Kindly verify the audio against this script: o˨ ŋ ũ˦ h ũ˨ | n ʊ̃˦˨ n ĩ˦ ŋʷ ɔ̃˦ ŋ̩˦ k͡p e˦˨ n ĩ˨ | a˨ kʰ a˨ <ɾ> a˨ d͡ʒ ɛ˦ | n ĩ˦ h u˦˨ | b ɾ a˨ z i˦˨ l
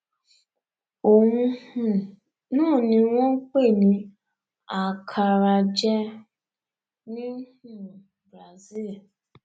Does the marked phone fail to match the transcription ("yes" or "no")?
no